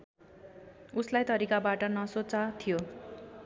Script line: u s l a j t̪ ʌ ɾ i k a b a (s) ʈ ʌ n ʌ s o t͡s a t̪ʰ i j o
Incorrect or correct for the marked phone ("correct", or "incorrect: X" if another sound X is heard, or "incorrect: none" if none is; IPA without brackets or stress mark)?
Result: incorrect: none